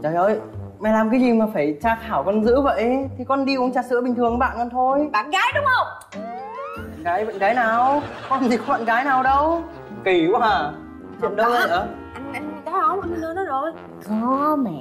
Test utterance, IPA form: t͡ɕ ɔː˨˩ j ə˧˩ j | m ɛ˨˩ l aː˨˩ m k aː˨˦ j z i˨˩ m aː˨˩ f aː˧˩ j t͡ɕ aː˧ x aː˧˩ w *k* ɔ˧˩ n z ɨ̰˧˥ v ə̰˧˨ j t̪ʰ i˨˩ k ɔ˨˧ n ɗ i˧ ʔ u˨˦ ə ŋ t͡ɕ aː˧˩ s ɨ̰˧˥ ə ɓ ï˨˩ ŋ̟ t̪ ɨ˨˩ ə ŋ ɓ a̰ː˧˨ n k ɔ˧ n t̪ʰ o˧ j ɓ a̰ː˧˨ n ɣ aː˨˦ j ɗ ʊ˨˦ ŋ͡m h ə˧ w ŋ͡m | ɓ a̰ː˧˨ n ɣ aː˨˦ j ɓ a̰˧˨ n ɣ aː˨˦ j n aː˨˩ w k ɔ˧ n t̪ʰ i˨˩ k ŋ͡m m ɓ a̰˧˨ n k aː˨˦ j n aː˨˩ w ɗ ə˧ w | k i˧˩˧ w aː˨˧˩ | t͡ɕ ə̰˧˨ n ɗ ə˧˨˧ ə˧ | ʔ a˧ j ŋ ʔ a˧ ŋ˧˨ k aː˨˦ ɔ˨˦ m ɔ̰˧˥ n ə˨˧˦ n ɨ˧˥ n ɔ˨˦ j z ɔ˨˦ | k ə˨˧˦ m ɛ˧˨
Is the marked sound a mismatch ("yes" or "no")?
no